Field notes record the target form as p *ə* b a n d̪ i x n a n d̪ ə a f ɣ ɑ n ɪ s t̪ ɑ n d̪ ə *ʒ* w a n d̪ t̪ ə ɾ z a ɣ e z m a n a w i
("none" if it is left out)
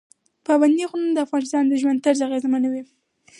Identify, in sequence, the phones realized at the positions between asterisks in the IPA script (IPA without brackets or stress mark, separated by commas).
ɑ, ʒ